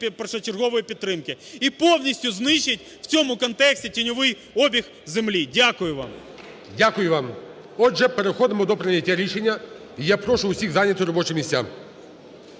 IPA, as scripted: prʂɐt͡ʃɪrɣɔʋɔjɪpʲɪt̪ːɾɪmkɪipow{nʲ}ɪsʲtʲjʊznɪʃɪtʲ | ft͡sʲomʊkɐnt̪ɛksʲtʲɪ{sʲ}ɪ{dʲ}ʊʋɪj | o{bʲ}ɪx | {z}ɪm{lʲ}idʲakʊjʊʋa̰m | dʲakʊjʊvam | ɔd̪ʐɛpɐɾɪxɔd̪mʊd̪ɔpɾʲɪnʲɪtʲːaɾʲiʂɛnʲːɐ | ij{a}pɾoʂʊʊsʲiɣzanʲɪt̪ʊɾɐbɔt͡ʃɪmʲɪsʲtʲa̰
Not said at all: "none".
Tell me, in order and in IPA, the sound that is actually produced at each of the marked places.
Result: nʲ, tʲ, nʲ, bʲ, z, lʲ, a

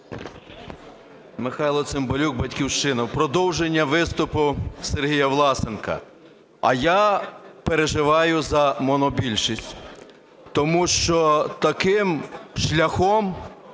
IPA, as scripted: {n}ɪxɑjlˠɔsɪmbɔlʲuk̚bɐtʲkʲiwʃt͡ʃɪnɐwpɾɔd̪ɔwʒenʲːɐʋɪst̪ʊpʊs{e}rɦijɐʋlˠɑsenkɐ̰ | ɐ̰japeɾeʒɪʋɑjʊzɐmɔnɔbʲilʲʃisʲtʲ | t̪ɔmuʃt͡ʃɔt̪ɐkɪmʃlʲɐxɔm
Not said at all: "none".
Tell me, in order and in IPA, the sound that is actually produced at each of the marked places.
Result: m, e

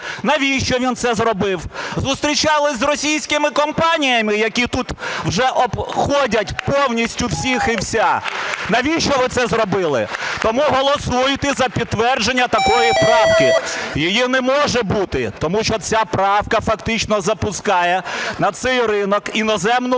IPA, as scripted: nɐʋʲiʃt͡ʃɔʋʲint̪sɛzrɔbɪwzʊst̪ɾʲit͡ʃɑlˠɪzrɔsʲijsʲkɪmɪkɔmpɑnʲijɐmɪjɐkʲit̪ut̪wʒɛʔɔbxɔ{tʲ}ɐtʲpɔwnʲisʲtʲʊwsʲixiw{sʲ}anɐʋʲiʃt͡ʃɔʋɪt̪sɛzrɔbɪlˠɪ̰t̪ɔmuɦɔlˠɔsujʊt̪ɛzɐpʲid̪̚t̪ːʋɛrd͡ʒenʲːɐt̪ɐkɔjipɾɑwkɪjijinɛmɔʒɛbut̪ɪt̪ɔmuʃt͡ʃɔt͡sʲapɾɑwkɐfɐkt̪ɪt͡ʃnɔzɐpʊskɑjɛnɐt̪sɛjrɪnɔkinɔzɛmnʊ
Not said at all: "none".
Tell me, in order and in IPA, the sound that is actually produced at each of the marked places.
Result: dʲ, sʲ

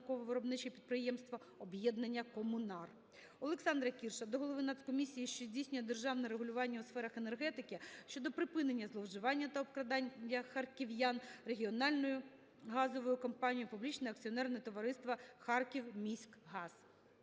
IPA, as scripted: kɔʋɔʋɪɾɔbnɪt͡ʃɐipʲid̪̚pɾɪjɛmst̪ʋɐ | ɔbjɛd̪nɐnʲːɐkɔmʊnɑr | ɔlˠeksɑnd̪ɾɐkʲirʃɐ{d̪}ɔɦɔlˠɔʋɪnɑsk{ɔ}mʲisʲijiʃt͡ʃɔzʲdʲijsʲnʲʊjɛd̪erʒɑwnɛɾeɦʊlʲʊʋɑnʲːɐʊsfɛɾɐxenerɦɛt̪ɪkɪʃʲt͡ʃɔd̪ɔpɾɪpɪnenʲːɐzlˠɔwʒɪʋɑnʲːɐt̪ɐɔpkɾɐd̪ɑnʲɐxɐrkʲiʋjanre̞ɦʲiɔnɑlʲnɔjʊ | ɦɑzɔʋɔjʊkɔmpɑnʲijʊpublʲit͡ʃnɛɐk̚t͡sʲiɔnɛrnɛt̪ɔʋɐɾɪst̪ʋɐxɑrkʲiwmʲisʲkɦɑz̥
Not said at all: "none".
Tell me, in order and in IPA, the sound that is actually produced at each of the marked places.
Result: d̪, ɔ

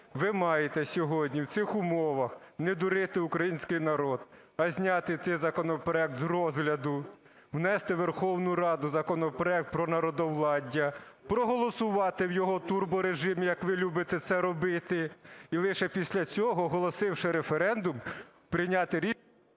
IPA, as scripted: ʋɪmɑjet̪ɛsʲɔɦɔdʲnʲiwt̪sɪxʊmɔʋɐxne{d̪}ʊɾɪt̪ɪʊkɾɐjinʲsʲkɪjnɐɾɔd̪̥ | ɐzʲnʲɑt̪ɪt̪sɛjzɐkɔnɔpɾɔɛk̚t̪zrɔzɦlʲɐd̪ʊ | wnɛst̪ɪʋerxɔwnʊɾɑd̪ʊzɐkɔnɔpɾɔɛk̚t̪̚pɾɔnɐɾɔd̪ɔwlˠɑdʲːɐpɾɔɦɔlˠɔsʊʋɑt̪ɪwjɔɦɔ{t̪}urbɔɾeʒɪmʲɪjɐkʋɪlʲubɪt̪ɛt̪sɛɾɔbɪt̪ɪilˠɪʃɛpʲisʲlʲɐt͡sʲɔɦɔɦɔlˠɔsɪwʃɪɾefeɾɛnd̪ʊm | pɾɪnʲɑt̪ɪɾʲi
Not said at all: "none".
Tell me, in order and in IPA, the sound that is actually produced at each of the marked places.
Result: d̪, t̪

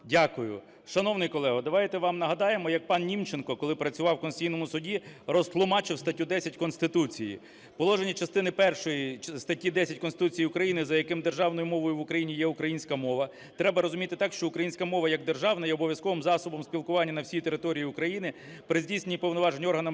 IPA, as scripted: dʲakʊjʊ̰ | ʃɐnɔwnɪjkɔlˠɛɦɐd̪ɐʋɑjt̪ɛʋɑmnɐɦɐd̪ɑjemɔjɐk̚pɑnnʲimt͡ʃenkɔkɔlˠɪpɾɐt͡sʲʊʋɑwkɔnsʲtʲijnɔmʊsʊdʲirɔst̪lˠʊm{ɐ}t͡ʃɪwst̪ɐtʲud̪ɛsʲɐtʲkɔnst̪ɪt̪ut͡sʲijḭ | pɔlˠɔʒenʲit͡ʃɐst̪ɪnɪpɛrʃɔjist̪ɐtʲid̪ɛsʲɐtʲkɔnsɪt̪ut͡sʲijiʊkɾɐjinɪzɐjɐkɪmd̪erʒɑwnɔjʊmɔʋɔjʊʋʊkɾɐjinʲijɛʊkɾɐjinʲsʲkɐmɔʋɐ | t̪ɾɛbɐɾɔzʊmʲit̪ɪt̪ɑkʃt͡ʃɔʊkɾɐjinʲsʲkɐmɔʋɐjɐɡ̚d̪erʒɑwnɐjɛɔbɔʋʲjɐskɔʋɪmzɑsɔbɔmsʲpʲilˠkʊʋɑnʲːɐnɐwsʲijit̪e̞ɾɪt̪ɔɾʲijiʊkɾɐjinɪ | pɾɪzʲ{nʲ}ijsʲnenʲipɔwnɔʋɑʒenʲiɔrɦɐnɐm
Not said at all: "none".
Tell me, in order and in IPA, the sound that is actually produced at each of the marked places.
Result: ɑ, dʲ

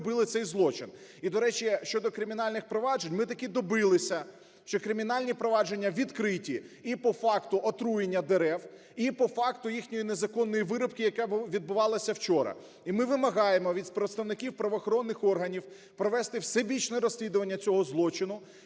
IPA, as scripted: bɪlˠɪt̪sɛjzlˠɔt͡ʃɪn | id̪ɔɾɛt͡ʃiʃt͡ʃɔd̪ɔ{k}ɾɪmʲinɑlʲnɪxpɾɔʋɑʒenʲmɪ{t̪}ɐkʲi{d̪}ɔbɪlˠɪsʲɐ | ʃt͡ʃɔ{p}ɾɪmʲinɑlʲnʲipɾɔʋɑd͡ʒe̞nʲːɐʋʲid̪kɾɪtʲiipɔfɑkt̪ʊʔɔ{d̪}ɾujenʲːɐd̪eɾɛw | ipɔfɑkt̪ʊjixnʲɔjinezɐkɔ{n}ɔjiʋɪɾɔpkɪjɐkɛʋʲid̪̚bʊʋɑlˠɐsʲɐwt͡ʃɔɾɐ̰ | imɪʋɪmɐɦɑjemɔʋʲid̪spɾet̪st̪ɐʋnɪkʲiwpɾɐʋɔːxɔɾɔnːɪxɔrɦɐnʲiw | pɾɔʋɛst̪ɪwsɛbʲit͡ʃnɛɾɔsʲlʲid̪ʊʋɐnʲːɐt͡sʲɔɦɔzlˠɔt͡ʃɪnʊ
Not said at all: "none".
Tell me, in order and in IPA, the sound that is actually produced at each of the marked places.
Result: k, t̪, d̪, k, t̪, nː

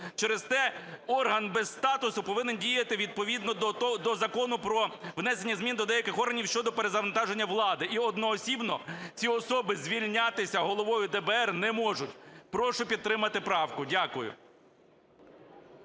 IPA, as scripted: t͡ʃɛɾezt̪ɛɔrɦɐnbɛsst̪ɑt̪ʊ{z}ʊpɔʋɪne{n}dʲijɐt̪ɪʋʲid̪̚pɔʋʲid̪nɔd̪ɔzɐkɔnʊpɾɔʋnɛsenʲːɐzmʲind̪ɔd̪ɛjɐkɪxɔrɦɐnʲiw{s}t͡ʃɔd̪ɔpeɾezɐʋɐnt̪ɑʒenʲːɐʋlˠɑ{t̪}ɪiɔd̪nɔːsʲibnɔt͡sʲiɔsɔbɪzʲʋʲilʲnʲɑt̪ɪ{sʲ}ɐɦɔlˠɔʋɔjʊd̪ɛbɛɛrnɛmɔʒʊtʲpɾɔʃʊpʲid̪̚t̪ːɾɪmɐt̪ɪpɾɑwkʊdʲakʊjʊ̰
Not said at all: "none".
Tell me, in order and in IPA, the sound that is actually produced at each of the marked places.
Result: s, n, ʃ, d̪, sʲ

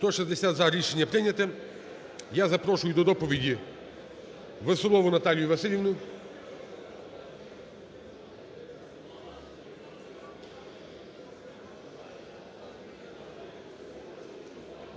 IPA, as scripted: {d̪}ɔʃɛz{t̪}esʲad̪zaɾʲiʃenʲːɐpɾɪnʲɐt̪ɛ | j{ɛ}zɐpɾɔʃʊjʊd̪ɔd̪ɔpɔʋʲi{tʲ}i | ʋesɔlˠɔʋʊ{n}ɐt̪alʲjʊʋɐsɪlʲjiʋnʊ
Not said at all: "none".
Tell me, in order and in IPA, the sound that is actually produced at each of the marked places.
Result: t̪, d̪, a, dʲ, n

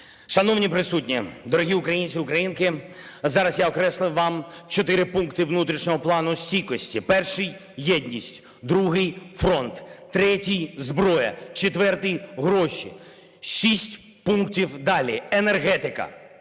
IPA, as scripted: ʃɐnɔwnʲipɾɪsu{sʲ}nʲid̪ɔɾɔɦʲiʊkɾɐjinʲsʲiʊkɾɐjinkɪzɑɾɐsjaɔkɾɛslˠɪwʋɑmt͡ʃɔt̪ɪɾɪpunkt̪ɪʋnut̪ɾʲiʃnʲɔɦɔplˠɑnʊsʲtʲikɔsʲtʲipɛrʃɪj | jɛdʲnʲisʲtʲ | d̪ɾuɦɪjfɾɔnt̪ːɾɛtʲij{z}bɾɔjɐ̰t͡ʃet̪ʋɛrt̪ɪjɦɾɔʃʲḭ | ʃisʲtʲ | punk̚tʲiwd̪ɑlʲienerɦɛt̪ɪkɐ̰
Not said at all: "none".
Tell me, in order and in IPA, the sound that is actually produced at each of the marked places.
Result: tʲ, z

